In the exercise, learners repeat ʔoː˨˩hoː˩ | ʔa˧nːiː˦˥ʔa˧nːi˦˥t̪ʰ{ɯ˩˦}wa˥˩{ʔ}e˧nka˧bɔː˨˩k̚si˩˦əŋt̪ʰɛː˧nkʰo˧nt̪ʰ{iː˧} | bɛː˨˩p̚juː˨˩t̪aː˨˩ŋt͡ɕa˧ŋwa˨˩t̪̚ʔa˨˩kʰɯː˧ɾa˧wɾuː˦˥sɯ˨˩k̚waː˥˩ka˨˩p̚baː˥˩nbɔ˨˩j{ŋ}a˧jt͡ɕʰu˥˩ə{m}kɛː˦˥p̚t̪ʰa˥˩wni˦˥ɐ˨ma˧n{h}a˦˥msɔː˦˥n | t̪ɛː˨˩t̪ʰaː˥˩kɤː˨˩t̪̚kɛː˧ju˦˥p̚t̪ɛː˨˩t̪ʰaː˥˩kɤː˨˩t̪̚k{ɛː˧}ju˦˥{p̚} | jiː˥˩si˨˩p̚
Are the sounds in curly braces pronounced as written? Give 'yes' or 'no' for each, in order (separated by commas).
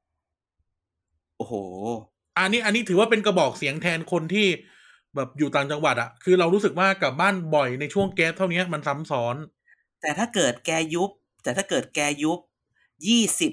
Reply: no, no, no, no, no, no, yes, yes